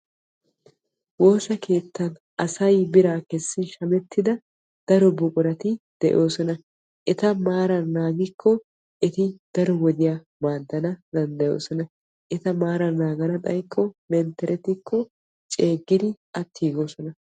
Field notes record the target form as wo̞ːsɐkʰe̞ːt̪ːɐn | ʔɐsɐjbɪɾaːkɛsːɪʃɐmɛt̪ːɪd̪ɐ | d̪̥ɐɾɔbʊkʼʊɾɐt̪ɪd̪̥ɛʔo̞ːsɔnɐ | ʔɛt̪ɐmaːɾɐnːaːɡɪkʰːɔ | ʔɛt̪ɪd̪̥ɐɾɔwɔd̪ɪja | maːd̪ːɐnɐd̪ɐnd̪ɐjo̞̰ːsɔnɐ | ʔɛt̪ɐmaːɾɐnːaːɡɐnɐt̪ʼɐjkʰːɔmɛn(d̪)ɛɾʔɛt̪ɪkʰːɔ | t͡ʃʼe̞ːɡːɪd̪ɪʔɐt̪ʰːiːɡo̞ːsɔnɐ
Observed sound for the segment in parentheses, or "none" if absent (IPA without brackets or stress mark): t̪